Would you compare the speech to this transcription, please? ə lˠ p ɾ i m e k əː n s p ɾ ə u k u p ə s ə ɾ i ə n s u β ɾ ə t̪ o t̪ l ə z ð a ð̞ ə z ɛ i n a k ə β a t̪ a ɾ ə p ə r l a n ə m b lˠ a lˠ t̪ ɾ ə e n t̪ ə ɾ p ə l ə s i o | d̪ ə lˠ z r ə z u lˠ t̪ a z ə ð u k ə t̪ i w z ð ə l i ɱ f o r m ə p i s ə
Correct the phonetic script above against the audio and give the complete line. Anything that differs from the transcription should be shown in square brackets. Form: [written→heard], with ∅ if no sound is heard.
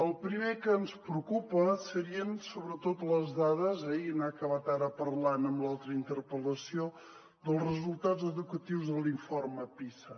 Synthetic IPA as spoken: ə lˠ p ɾ i m e k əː n s p ɾ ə u k u p ə s ə ɾ i ə n s [u→o] β ɾ ə t̪ o t̪ l ə z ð a ð̞ ə z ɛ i n a k ə β a t̪ a ɾ ə p ə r l a n ə m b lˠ a lˠ t̪ ɾ ə [e→i] n t̪ ə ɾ p ə l ə s i o | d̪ ə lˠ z r ə z u lˠ t̪ a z ə ð u k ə t̪ i w z ð ə l i ɱ f o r m ə p i s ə